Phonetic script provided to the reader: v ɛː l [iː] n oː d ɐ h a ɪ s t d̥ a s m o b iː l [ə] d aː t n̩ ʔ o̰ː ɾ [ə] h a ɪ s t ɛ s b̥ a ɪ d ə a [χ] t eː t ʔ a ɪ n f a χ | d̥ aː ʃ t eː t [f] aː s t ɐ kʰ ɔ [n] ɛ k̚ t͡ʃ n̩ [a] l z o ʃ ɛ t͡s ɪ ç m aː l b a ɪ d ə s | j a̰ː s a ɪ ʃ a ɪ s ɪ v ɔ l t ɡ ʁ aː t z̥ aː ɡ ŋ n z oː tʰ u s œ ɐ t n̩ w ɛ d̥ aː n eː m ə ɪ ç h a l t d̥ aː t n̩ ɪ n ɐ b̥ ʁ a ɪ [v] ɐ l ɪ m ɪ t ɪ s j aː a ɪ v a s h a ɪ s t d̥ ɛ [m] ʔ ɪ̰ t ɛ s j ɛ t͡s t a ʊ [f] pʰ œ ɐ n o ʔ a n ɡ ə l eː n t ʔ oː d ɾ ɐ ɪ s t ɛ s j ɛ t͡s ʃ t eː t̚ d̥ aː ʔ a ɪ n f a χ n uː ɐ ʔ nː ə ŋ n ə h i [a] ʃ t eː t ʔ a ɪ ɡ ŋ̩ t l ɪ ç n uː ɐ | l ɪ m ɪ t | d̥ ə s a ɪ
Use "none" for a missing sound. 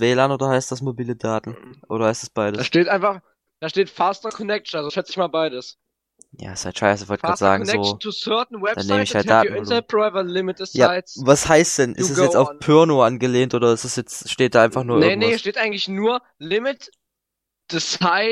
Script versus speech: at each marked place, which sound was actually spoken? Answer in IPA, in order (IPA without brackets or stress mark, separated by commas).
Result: aː, ə, ɐ, ʃ, f, n, a, v, n, f, ɐ